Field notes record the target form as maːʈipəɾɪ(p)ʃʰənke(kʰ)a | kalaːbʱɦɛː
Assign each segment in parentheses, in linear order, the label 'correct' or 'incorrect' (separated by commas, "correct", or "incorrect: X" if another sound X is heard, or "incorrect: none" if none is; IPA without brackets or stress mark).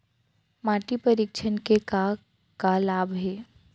incorrect: k, incorrect: k